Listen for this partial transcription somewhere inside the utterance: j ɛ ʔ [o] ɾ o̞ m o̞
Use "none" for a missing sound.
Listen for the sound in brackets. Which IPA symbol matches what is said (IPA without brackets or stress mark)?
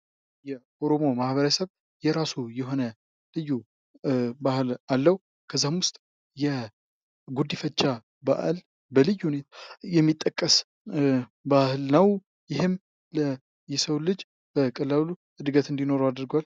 o